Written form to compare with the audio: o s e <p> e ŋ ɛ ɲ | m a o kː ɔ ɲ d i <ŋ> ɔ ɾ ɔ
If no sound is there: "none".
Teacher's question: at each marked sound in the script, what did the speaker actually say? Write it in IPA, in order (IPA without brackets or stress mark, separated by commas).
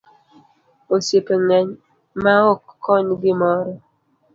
p, m